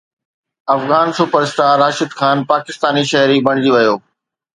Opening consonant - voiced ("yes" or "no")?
no